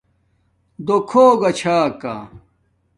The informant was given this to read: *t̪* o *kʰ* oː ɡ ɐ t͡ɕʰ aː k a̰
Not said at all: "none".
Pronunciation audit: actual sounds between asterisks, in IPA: d̪, kʰ

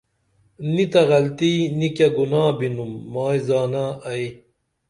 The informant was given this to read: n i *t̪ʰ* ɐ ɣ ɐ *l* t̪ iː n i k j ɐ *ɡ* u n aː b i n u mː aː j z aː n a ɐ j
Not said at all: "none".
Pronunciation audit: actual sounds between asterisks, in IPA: t̪, l, ɡ

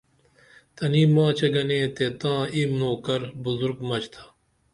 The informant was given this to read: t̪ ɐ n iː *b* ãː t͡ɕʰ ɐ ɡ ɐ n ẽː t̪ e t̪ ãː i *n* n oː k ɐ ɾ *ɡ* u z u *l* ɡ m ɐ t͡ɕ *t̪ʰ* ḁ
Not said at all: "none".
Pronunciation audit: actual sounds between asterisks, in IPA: m, m, b, ɾ, t̪ʰ

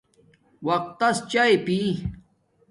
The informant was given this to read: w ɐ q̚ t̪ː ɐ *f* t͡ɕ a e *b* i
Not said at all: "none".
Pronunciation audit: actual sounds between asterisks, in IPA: s, p

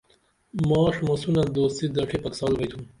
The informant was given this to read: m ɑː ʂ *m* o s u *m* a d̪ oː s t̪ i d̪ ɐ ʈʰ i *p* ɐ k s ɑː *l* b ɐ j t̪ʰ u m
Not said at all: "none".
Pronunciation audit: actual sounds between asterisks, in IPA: m, n, p, l

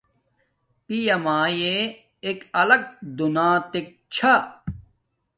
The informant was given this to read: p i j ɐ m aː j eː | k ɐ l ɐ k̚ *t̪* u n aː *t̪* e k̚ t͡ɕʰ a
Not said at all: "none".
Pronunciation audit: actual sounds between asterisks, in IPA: d̪, t̪

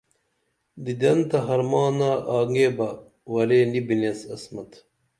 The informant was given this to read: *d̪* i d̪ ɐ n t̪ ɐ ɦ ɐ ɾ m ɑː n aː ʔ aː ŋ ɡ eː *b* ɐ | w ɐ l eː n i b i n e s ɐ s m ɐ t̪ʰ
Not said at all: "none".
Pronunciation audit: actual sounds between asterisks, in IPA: d̪, b

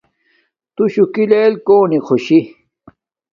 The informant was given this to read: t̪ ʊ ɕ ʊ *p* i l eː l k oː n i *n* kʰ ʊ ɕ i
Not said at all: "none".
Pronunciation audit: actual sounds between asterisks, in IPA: k, none

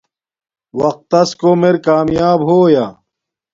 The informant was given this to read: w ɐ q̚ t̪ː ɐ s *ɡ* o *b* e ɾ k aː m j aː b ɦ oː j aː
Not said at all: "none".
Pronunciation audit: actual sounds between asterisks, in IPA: k, m

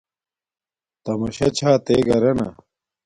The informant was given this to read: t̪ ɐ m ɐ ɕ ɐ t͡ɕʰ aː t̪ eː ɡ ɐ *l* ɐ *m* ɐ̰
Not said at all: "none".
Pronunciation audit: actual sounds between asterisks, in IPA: ɾ, n

